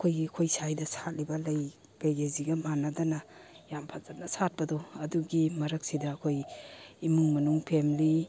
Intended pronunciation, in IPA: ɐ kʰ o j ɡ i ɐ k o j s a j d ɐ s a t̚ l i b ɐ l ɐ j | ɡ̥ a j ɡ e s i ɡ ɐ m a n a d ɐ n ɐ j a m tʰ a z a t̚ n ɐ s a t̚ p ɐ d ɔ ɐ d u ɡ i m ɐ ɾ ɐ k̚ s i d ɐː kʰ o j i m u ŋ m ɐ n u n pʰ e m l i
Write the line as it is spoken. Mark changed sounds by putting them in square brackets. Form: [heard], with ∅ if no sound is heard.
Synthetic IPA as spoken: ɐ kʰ o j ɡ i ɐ [kʰ] o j s a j d ɐ s a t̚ l i b ɐ l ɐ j | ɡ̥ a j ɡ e [z] i ɡ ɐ m a n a d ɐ n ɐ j a m [pʰ] a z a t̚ n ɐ s a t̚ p ɐ d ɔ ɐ d u ɡ i m ɐ ɾ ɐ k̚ s i d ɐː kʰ o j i m u ŋ m ɐ n u [ŋ] pʰ e m l i

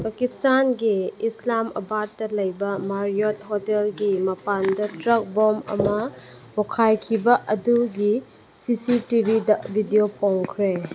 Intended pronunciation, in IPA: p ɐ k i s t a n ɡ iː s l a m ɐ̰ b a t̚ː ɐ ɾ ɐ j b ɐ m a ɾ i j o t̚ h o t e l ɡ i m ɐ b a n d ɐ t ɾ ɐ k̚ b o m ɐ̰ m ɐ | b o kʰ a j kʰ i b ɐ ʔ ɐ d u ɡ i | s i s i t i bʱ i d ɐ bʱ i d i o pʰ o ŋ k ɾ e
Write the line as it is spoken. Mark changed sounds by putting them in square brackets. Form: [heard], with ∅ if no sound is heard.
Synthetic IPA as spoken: p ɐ k i s t a n ɡ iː s l a m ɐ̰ b a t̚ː ɐ [l] ɐ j b ɐ m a ɾ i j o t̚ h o t e l ɡ i m ɐ [p] a n d ɐ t ɾ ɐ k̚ b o m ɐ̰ m ɐ | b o kʰ a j kʰ i b ɐ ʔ ɐ d u ɡ i | s i s i t i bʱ i d ɐ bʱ i d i o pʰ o ŋ [kʰ] ɾ e

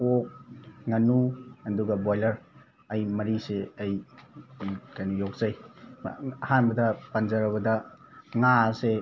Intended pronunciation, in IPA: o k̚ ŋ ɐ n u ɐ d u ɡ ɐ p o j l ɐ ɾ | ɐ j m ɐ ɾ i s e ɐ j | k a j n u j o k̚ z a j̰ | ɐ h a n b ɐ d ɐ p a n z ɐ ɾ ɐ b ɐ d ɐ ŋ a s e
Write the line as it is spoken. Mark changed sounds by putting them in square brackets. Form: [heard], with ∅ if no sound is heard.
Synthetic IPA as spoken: o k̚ ŋ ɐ n u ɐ d u ɡ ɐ [b] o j l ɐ ɾ | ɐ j m ɐ ɾ i s e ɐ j | k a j n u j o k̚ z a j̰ | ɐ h a n b ɐ d ɐ p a n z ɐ ɾ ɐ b ɐ d ɐ ŋ a s e

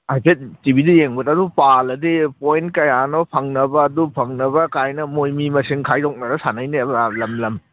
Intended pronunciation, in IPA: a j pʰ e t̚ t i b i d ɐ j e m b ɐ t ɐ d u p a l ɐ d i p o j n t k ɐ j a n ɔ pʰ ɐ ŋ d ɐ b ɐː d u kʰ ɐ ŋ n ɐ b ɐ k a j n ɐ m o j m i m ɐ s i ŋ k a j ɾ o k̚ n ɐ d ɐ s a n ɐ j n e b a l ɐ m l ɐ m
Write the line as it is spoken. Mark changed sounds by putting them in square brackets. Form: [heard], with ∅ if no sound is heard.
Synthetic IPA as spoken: a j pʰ e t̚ t i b i d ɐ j e [ŋ] b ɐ t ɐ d u p a l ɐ d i p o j n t k ɐ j a n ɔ pʰ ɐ ŋ [n] ɐ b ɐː d u [pʰ] ɐ ŋ n ɐ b ɐ k a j n ɐ m o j m i m ɐ s i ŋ [kʰ] a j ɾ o k̚ n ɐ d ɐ s a n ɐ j n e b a l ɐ m l ɐ m

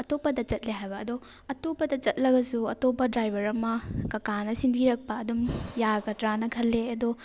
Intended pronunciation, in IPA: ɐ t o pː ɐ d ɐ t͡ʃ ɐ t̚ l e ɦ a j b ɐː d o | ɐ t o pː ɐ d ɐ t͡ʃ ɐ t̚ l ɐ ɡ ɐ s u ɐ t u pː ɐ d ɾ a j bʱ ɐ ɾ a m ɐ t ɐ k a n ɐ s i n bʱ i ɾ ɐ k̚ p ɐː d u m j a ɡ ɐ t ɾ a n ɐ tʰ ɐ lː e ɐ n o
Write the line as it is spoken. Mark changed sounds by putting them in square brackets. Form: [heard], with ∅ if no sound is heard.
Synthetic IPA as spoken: ɐ t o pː ɐ d ɐ t͡ʃ ɐ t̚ l e ɦ a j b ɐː d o | ɐ t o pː ɐ d ɐ t͡ʃ ɐ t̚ l ɐ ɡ ɐ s u ɐ t [o] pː ɐ d ɾ a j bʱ ɐ ɾ [ɐ] m ɐ [k] ɐ k a n ɐ s i n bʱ i ɾ ɐ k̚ p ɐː d u m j a ɡ ɐ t ɾ a n ɐ [kʰ] ɐ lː e ɐ [d] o

